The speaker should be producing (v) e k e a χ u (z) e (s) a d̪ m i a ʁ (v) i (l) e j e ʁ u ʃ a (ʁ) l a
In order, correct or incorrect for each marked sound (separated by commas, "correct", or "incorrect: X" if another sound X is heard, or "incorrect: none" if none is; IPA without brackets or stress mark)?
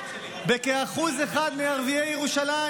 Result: incorrect: b, correct, incorrect: χ, correct, incorrect: none, incorrect: none